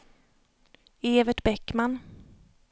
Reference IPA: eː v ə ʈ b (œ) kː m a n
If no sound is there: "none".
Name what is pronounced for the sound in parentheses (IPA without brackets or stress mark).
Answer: ɛ